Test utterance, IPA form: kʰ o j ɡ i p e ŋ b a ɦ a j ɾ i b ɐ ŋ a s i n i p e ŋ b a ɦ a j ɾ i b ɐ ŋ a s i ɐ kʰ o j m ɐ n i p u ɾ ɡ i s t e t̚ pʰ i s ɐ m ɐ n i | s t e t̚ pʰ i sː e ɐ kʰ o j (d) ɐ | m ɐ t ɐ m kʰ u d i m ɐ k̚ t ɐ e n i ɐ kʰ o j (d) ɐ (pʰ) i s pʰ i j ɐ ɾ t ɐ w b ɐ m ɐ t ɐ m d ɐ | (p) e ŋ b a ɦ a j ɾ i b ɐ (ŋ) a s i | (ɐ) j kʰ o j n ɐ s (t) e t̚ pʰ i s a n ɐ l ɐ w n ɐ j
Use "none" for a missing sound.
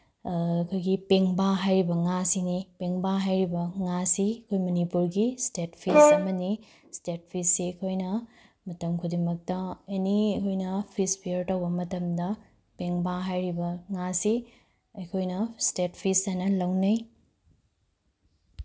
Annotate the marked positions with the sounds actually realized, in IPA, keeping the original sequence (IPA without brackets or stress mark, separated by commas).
n, n, pʰ, p, ŋ, ɐ, t